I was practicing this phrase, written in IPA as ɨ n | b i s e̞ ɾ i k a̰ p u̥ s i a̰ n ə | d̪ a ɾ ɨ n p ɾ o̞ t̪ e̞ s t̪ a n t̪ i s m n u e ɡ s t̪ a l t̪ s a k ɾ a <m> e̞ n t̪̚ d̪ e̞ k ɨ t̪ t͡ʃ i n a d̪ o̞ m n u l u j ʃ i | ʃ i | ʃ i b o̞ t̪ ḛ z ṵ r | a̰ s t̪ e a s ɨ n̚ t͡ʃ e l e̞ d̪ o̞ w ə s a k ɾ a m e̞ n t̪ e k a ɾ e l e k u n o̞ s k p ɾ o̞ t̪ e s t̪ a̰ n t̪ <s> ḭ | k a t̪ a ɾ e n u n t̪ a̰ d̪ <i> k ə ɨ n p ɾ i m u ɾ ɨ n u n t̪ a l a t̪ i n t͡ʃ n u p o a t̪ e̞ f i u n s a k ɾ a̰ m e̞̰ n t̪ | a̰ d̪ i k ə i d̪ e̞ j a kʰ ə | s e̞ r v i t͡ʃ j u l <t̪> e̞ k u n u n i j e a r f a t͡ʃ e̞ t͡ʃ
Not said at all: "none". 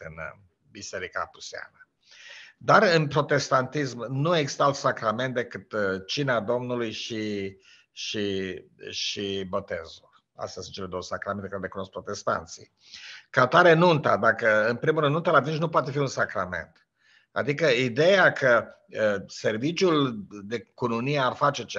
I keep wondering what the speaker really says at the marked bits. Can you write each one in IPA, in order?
m, s, a, d̪

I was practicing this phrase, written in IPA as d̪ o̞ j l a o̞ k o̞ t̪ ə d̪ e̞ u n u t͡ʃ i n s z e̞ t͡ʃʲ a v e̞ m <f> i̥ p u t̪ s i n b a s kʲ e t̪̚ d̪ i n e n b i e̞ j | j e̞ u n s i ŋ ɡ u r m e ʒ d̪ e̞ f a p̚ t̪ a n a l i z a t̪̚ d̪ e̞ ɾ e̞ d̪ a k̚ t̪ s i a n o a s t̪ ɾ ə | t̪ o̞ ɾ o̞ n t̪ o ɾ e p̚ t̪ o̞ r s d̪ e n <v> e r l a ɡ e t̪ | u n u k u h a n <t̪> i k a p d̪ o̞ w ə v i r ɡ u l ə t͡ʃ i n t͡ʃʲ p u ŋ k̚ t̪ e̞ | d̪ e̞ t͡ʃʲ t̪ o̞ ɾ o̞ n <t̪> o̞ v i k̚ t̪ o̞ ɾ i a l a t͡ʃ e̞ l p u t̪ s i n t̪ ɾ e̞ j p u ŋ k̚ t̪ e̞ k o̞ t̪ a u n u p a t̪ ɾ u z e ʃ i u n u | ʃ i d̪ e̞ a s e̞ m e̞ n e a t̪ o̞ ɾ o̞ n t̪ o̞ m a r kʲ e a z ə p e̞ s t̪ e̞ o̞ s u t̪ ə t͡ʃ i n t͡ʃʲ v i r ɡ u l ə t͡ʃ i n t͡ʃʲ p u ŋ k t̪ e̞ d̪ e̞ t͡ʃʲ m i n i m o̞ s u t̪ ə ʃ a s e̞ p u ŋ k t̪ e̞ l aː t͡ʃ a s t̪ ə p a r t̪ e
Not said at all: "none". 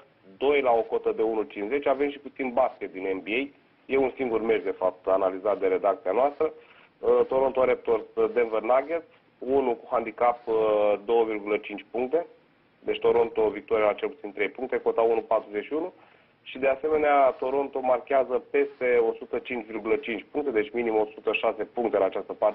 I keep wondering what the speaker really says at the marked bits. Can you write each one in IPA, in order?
ʃ, v, d̪, t̪

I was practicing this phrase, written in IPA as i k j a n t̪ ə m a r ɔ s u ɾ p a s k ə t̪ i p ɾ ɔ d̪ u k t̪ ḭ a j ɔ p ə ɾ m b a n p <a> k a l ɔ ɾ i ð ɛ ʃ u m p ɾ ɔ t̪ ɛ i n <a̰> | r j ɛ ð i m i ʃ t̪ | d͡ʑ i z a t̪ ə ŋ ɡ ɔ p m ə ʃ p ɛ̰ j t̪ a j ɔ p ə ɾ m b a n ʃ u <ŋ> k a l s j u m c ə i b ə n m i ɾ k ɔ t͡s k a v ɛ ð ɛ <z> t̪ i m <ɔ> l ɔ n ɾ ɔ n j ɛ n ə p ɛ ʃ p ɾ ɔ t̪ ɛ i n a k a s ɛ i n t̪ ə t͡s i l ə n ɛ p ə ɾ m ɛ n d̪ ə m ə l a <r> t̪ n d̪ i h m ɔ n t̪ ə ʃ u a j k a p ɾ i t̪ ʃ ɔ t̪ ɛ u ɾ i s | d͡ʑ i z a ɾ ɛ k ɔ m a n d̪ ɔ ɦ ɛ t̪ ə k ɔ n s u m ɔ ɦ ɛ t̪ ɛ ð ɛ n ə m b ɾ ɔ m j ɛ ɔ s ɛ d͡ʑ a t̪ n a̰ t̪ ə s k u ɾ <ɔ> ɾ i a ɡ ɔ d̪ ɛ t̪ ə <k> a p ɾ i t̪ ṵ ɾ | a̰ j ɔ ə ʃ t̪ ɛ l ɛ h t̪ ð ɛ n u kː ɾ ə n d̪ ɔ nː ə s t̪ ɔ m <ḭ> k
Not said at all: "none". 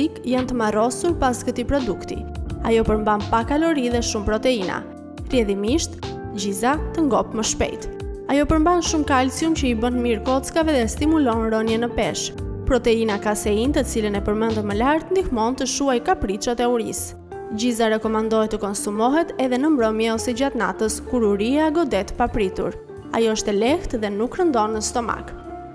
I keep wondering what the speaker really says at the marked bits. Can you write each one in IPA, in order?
a, a̰, m, s, u, ɾ, u, p, a̰

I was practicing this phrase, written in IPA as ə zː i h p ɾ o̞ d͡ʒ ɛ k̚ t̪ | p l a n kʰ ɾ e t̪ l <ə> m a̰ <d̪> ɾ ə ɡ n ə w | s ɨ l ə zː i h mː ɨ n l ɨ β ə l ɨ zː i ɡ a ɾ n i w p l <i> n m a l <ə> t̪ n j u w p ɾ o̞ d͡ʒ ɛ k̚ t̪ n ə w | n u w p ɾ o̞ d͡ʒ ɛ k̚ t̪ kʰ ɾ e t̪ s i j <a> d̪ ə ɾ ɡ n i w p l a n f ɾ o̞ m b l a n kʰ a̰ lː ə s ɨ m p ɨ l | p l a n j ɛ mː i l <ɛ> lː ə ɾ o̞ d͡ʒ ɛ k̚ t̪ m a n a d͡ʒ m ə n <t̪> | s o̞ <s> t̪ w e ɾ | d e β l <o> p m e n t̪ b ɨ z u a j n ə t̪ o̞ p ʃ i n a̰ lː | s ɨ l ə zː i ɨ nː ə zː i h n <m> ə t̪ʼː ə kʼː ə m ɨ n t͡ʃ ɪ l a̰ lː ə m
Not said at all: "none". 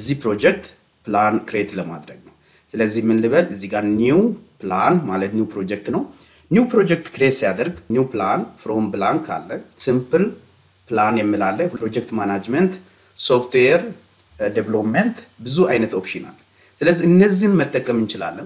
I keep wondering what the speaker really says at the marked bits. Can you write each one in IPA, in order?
ə, d̪, a, ə, a, a, t̪, f, o, m

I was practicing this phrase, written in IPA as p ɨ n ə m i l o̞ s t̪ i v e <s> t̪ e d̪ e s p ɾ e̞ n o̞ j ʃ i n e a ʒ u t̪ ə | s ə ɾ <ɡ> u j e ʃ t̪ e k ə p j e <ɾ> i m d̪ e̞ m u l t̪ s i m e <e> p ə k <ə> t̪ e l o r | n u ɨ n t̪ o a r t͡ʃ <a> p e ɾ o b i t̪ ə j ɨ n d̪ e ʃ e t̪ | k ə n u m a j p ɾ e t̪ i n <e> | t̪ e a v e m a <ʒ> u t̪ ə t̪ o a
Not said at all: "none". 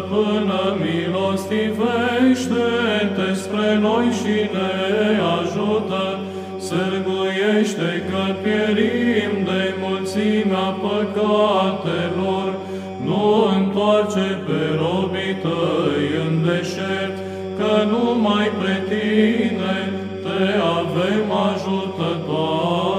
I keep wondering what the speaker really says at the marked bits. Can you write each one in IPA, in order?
ʃ, ɡ, ɾ, a, a, e, e, ʒ

